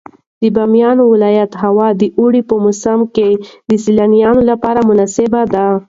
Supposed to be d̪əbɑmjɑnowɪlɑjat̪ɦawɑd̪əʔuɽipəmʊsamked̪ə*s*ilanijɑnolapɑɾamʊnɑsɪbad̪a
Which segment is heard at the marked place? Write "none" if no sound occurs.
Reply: s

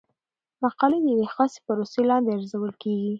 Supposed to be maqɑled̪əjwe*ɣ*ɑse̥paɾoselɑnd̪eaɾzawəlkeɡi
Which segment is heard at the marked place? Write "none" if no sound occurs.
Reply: x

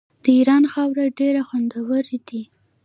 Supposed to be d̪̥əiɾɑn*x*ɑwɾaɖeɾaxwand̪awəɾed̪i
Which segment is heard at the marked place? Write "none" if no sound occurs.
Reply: x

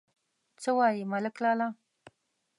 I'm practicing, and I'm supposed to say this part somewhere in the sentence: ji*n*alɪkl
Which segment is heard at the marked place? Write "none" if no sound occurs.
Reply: m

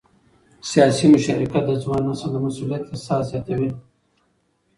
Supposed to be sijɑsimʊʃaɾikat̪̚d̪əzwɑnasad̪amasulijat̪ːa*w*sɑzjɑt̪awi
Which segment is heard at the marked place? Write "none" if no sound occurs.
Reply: none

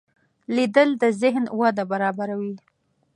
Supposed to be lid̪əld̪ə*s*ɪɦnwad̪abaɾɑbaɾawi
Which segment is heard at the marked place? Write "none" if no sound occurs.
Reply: z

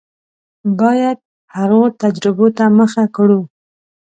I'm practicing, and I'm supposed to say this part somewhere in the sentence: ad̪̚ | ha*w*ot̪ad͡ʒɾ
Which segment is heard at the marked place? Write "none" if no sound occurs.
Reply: ɣ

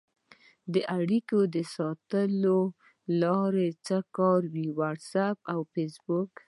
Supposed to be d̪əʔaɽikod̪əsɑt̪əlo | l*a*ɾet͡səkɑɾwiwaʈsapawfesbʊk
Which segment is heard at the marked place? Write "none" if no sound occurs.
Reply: ɑ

